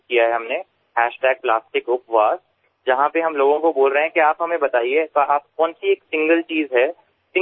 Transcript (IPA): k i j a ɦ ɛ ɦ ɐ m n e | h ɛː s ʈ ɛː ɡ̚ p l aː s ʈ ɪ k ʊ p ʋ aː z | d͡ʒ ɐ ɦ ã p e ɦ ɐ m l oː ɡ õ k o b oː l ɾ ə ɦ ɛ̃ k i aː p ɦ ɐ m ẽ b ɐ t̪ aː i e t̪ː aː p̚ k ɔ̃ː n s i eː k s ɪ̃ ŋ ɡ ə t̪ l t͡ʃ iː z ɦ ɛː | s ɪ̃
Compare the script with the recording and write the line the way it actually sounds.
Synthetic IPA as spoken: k i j a ɦ ɛ ɦ ɐ m n e | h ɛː ʃ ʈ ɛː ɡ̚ p l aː s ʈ ɪ k ʊ p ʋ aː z | d͡ʒ ɐ ɦ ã p e ɦ ɐ m l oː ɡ õ k o b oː l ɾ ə ɦ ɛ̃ k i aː p ɦ ɐ m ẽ b ɐ t̪ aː i e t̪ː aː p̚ k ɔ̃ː n s i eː k s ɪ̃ ŋ ɡ ə l t͡ʃ iː z ɦ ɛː | s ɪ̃